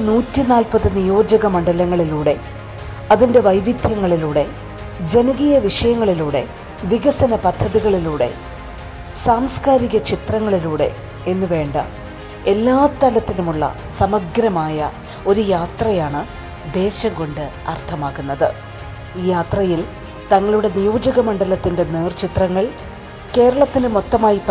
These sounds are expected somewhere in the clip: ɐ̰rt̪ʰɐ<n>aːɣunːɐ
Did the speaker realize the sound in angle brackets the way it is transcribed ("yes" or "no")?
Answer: no